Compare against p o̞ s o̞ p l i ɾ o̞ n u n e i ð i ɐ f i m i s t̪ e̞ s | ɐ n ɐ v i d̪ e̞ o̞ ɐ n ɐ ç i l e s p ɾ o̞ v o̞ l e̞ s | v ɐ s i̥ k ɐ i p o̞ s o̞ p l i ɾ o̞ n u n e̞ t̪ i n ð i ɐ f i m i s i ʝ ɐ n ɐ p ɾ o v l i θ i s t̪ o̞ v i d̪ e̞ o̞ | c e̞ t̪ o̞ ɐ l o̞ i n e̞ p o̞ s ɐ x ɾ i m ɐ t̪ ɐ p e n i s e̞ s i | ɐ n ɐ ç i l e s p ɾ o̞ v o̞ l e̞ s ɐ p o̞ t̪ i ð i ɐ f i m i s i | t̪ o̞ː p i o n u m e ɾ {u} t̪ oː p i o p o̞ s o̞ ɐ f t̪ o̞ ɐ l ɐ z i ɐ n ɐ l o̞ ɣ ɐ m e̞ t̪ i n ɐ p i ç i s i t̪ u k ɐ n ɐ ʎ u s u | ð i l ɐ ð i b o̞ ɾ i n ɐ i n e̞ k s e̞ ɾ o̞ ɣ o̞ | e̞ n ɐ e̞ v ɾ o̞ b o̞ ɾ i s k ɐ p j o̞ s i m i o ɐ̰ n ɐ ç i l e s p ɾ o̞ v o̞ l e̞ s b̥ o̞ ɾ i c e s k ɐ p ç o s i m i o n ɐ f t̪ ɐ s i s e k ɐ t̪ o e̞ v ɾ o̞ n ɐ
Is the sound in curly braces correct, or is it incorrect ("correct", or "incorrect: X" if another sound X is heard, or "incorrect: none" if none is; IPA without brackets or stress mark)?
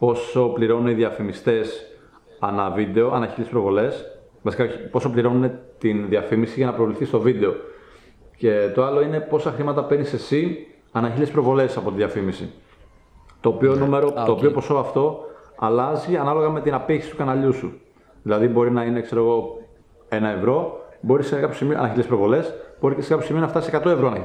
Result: incorrect: o